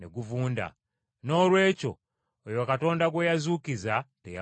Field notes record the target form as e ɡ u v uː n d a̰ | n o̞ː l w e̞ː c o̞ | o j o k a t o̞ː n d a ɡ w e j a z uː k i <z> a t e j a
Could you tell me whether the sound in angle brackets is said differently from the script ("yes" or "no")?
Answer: no